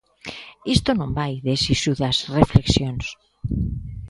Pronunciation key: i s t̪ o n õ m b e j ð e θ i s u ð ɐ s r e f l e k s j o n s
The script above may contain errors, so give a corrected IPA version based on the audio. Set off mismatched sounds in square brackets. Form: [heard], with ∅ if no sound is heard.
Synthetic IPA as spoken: i s t̪ o n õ m b [a] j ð e [s] i s u ð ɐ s r e f l e k s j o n s

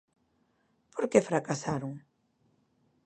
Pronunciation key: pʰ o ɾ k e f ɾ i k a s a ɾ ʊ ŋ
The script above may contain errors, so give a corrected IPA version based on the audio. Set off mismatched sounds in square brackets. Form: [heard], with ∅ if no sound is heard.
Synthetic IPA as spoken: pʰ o ɾ k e f ɾ [a] k a s a ɾ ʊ ŋ

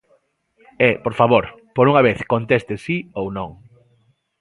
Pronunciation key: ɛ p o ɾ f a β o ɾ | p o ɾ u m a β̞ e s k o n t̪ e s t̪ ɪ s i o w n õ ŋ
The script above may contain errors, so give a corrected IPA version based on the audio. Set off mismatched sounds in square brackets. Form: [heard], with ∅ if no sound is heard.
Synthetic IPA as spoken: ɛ p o ɾ f a β o ɾ | p o ɾ u [ŋ] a β̞ e [θ] k o n t̪ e s t̪ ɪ s i o w n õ ŋ

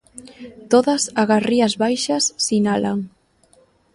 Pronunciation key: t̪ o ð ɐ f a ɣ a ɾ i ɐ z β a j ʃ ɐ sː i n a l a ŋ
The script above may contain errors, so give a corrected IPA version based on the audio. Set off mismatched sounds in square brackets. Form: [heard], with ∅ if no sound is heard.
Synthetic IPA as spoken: t̪ o ð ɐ [s] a ɣ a [r] i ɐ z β a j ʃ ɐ sː i n a l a ŋ

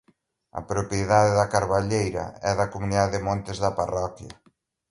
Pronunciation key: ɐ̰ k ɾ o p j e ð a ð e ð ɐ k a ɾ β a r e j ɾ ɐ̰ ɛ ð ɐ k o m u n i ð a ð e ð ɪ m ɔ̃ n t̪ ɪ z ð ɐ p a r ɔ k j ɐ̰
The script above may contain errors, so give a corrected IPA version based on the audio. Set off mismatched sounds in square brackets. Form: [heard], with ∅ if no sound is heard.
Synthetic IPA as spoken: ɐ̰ [p] ɾ o p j e ð a ð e ð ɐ k a ɾ β a [ʎ] e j ɾ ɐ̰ ɛ ð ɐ k o m u n i ð a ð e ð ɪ m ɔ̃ n t̪ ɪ z ð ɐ p a r ɔ k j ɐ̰

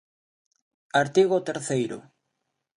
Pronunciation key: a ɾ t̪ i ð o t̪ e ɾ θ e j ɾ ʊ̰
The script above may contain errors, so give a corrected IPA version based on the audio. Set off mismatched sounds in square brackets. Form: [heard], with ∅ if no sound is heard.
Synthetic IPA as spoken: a ɾ t̪ i [ɣ] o t̪ e ɾ θ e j ɾ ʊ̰

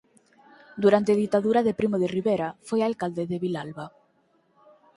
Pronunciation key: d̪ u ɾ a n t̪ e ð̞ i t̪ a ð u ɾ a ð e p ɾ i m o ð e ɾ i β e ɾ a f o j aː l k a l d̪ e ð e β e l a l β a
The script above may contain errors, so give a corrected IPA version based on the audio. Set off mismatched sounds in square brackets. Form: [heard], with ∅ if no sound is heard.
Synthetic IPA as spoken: d̪ u ɾ a n t̪ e ð̞ i t̪ a ð u ɾ a ð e p ɾ i m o ð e [r] i β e ɾ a f o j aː l k a l d̪ e ð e β [i] l a l β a

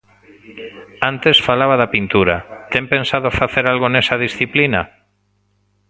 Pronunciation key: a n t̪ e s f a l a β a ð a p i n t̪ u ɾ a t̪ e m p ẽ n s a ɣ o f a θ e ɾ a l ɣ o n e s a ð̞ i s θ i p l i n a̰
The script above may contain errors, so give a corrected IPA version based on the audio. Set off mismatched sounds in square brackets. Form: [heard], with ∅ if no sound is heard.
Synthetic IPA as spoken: a n t̪ e s f a l a β a ð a p i n t̪ u ɾ a t̪ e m p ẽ n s a [ð] o f a θ e ɾ a l ɣ o n e s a ð̞ i s θ i p l i n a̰

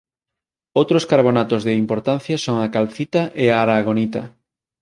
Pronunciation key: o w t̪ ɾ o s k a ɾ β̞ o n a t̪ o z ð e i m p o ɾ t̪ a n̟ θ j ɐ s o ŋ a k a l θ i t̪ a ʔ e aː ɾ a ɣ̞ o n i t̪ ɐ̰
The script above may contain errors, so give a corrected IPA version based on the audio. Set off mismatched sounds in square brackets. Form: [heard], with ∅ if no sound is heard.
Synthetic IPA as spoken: o w t̪ ɾ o s k a ɾ β̞ o n a t̪ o z ð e i m p o ɾ t̪ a n̟ θ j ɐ s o ŋ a k a l θ i t̪ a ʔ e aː ɾ a ɣ̞ o n i t̪ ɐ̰

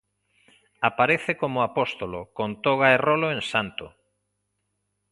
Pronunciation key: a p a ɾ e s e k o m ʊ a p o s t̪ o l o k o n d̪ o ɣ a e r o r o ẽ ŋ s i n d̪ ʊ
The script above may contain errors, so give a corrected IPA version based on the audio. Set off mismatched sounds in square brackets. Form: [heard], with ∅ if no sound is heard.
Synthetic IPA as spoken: a p a ɾ e [θ] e k o m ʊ a p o s t̪ o l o k o n [t̪] o ɣ a e r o [l] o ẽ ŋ s [a] n [t̪] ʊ

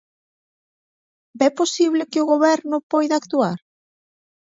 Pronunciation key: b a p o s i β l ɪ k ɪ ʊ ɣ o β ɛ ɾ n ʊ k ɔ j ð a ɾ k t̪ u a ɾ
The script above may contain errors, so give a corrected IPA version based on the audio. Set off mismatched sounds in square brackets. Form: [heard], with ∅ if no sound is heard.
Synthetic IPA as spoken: b [ɛ] p o s i β l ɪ k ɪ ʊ ɣ o β ɛ ɾ n ʊ [p] ɔ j ð a [∅] k t̪ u a ɾ

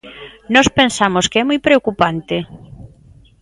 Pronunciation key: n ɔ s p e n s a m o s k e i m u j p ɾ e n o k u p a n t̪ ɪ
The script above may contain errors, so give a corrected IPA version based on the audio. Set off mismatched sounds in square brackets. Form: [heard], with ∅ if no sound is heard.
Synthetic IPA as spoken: n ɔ s p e n s a m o s k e [ɛ] m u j p ɾ e [∅] o k u p a n t̪ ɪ

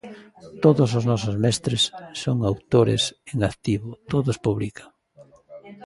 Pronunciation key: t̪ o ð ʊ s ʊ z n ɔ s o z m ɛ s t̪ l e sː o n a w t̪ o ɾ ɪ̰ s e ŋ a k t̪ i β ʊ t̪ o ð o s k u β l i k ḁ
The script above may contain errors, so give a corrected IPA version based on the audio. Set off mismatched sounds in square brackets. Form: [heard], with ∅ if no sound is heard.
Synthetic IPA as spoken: t̪ o ð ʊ s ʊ z n ɔ s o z m ɛ s t̪ [ɾ] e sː o [ŋ] a w t̪ o ɾ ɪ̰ s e ŋ a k t̪ i β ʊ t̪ o ð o s [p] u β l i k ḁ

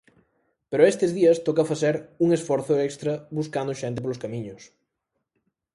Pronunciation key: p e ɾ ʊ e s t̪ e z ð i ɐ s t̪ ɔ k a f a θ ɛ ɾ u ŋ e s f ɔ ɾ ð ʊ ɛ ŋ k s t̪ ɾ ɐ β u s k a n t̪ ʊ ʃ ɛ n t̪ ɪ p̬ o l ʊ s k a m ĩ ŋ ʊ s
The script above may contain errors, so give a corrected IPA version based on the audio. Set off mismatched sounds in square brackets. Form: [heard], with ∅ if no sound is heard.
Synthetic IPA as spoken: p e ɾ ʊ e s t̪ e z ð i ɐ s t̪ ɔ k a f a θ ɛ ɾ u ŋ e s f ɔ ɾ [θ] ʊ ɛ [∅] k s t̪ ɾ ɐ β u s k a n [d̪] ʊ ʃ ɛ n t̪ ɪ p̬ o l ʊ s k a m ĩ [ɲ] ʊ s

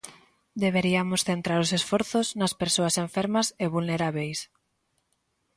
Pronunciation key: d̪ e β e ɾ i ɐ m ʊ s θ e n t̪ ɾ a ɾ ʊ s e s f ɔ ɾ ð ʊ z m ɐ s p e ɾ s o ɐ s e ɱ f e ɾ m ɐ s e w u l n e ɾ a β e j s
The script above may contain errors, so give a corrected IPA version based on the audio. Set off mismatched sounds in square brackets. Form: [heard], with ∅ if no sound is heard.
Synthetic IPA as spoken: d̪ e β e ɾ i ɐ m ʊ s θ e n t̪ ɾ a ɾ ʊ s e s f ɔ ɾ [θ] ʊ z [n] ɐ s p e ɾ s o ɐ s e ɱ f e ɾ m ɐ s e [β] u l n e ɾ a β e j s

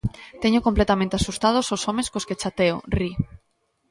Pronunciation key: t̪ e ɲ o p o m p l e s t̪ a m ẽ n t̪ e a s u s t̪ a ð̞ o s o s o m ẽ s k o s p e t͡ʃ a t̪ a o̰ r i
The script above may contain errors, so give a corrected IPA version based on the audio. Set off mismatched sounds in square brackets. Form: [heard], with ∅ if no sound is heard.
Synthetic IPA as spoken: t̪ e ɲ o [k] o m p l e [∅] t̪ a m ẽ n t̪ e a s u s t̪ a ð̞ o s o s o m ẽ s k o s [k] e t͡ʃ a t̪ [e] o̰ r i

